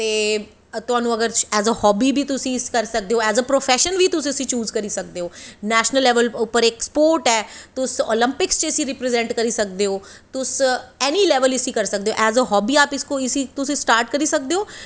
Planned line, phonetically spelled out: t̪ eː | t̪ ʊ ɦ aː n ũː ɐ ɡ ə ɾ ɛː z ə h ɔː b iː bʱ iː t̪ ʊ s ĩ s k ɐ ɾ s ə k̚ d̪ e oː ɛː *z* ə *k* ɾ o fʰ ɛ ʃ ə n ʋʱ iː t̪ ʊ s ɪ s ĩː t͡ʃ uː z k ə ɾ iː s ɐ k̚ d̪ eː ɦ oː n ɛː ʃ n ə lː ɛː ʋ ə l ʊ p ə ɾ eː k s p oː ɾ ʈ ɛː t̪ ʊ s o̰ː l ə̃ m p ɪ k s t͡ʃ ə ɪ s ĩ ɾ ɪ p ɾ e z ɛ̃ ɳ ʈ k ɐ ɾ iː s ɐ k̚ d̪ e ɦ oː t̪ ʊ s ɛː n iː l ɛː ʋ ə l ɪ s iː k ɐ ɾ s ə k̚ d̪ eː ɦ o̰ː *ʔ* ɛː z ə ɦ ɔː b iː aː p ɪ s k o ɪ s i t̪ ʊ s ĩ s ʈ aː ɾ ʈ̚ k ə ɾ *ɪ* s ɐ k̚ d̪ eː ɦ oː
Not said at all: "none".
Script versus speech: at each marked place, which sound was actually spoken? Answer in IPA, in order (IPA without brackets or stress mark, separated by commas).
z, p, ʔ, i